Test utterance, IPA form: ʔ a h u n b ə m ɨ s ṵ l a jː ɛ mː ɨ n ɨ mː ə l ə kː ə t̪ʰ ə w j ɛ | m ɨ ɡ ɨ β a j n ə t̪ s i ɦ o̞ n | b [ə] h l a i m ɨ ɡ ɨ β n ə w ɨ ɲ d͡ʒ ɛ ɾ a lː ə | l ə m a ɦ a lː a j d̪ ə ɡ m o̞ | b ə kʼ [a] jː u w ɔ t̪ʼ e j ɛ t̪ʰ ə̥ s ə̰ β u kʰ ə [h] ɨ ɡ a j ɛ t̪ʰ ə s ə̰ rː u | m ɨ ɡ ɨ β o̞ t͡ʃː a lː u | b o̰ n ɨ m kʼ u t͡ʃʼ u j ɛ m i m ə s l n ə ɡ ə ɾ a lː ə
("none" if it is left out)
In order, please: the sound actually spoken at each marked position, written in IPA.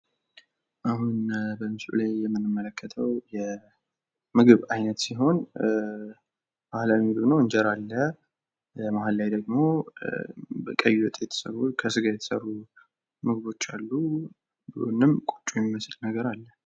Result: a, ə, s

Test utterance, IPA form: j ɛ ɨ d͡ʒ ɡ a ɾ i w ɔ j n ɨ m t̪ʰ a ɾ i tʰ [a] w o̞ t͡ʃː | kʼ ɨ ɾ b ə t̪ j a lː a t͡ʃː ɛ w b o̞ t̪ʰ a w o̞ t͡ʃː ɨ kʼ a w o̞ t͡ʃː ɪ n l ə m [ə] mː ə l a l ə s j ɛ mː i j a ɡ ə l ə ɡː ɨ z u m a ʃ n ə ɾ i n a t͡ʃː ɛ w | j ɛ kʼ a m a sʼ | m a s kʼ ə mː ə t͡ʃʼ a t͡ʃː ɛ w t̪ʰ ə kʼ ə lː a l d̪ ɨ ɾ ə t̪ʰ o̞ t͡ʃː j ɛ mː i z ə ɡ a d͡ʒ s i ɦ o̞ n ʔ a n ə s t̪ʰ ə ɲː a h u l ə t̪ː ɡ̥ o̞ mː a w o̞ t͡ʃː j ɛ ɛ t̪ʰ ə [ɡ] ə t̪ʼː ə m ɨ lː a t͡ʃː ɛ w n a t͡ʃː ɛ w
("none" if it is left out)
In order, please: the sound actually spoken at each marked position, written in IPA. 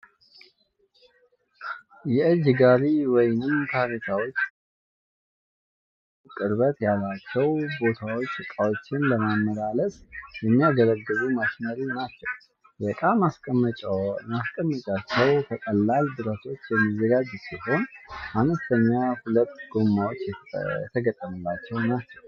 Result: a, a, ɡ

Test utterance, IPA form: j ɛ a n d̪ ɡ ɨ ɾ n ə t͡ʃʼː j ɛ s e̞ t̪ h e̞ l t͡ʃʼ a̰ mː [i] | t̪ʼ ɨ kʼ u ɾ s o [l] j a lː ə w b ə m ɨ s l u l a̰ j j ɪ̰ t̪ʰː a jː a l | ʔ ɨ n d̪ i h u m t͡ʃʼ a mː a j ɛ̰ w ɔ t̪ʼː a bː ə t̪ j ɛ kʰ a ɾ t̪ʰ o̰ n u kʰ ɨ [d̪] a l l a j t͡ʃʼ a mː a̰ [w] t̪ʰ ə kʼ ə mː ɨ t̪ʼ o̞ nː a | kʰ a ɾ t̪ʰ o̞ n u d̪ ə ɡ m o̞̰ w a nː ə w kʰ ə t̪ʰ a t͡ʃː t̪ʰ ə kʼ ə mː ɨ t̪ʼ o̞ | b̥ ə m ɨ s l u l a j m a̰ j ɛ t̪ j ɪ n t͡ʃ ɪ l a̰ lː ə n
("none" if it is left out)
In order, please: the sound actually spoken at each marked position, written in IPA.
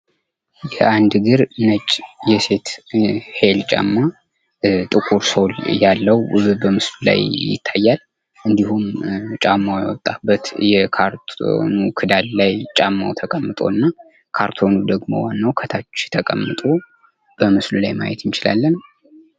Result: a, l, d̪, w

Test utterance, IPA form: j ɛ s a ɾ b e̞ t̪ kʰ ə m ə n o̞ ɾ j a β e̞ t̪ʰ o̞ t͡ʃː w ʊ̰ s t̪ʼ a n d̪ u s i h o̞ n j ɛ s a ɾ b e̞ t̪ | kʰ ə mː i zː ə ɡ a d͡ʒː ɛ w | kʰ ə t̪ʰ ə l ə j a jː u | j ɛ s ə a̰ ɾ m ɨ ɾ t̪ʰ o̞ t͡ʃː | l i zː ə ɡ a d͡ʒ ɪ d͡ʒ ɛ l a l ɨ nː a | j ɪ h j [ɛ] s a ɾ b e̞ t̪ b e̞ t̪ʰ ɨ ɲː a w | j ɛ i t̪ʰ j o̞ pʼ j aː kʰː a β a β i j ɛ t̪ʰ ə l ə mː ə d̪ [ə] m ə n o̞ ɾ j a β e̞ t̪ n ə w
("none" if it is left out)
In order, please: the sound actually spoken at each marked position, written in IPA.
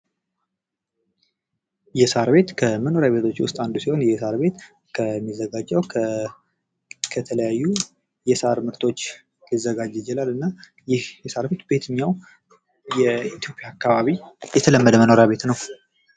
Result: ɛ, ə

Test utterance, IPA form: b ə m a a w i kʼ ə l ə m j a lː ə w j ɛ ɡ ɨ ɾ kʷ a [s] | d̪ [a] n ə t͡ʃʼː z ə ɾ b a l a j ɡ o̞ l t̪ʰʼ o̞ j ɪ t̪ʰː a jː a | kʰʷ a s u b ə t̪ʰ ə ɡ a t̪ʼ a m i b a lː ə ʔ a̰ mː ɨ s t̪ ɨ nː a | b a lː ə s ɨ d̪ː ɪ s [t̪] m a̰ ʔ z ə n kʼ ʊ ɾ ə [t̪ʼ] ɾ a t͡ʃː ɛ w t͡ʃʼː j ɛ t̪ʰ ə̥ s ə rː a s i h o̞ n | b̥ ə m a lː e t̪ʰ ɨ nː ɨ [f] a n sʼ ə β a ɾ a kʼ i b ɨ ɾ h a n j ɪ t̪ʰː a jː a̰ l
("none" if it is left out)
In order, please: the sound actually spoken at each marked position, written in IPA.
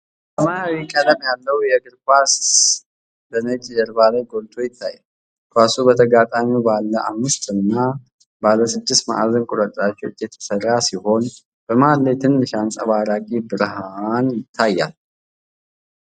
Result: s, ə, t̪, t̪ʼ, ʃ

